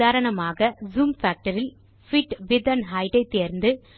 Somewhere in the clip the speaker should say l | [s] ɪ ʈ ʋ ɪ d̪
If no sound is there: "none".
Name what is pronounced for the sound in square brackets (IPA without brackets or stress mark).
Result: f